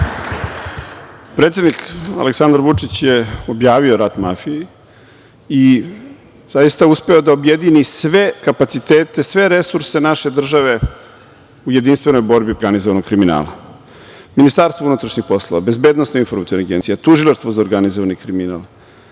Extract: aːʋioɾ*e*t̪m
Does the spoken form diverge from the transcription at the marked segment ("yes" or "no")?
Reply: yes